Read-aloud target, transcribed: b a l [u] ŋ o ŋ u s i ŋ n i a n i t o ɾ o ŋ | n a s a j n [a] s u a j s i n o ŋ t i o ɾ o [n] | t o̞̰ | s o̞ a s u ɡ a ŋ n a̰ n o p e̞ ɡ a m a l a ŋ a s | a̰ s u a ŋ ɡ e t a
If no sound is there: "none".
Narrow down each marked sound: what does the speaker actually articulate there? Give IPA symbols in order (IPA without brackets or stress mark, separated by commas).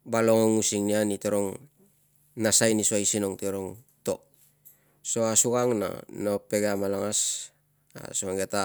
o, i, ŋ